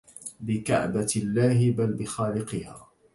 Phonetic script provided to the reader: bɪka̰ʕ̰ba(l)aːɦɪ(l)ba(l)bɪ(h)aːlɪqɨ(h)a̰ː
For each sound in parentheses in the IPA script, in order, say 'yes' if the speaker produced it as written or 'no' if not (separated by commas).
no, no, yes, no, yes